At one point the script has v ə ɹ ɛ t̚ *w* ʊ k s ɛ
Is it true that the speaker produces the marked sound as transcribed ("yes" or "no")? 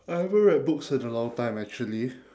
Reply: no